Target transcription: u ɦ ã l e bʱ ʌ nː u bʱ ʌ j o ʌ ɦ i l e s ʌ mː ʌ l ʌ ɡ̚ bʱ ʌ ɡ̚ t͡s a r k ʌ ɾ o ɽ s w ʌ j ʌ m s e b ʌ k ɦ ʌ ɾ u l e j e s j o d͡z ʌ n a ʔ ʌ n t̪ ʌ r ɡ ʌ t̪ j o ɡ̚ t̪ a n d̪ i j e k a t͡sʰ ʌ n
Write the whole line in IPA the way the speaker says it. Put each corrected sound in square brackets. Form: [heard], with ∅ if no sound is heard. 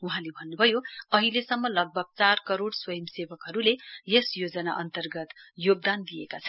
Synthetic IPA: u ɦ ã l e bʱ ʌ nː u bʱ ʌ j o ʌ ɦ i l e s ʌ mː ʌ l ʌ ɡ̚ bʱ ʌ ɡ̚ t͡s a r k ʌ ɾ o ɽ s w ʌ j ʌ m s e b ʌ k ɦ ʌ ɾ u l e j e s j o d͡z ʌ n a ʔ ʌ n t̪ ʌ r ɡ ʌ t̪ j o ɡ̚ [d̪] a n d̪ i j e k a t͡sʰ ʌ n